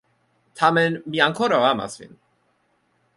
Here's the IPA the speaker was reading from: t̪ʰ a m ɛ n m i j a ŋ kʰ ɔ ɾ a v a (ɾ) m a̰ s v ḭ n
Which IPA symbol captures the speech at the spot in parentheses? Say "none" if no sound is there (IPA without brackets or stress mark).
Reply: none